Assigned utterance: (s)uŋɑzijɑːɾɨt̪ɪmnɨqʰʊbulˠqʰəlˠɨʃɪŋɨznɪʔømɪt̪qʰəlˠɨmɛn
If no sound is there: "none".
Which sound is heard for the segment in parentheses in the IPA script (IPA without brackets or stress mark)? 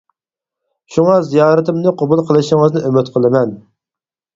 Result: ʃ